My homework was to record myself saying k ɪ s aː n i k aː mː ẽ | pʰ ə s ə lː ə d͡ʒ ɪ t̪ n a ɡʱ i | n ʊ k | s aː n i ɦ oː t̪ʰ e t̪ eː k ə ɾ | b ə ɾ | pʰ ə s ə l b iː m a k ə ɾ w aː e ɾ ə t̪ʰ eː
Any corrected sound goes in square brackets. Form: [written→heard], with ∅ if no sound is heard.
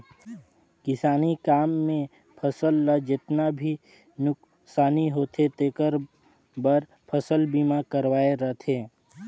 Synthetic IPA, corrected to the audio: k ɪ s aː n i k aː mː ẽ | pʰ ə s ə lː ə d͡ʒ ɪ t̪ n a [ɡʱ→bʱ] i | n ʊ k | s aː n i ɦ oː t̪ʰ e t̪ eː k ə ɾ | b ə ɾ | pʰ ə s ə l b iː m a k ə ɾ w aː e ɾ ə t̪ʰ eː